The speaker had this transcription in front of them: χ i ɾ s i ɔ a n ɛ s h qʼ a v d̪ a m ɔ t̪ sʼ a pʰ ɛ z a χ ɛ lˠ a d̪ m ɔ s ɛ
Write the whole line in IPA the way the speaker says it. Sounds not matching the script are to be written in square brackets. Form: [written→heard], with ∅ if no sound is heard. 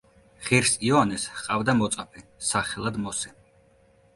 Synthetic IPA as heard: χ i ɾ s i ɔ a n ɛ s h qʼ a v d̪ a m ɔ t̪ sʼ a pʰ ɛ [z→s] a χ ɛ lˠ a d̪ m ɔ s ɛ